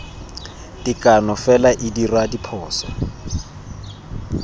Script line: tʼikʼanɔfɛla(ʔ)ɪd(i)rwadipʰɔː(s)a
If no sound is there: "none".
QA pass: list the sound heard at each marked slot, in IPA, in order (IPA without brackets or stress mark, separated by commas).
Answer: ʔ, i, s